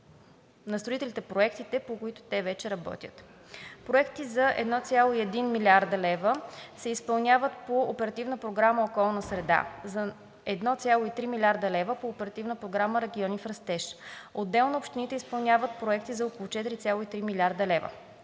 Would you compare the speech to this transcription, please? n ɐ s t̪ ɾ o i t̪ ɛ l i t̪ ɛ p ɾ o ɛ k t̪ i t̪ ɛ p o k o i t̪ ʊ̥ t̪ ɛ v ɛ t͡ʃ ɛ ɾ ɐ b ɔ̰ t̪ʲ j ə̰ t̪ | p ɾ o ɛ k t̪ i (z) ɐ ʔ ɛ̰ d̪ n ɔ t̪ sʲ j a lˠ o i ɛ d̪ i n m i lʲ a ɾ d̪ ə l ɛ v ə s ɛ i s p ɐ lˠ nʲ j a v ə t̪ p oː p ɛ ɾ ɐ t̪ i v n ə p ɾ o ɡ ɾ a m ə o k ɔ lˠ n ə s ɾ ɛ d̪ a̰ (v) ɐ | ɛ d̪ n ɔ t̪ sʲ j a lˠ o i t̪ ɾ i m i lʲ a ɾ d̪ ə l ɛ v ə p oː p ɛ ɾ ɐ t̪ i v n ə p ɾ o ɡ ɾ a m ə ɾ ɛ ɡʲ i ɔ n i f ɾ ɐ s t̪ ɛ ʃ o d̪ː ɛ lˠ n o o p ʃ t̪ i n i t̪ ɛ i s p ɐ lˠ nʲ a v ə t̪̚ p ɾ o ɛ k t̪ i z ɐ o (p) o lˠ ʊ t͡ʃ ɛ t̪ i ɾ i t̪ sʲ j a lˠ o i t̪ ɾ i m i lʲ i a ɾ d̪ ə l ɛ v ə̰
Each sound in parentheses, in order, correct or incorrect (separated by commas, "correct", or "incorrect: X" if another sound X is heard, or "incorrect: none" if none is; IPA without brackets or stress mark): correct, incorrect: z, incorrect: k